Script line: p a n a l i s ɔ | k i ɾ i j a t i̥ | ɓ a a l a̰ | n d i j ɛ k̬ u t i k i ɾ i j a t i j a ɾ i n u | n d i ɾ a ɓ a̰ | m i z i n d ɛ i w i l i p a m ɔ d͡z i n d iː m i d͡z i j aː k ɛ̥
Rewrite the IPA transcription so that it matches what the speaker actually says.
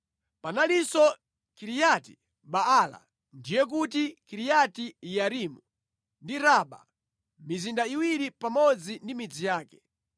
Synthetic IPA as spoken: p a n a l i s ɔ | k i ɾ i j a t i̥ | ɓ a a l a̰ | n d i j ɛ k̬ u t i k i ɾ i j a t i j a ɾ i m u | n d i ɾ a ɓ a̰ | m i z i n d a i w i ɾ i p a m ɔ d͡z i n d i m i d͡z i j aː k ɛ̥